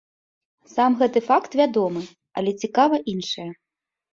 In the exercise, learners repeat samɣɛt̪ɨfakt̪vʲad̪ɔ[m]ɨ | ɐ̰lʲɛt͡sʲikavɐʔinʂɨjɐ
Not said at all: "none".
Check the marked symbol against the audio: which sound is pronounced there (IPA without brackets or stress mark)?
m